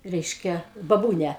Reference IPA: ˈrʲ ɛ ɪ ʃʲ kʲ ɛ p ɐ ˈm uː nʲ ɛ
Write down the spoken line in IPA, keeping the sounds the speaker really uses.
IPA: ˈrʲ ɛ ɪ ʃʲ kʲ ɛ b ɐ ˈb uː nʲ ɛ